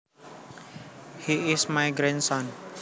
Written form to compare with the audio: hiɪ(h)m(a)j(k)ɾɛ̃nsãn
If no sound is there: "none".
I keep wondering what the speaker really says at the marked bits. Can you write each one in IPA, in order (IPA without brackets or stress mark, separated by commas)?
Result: s, a, ɡ